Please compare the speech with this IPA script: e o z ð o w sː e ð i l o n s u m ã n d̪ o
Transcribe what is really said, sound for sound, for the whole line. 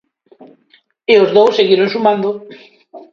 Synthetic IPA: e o z ð o w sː e ɣ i ɾ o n s u m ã n d̪ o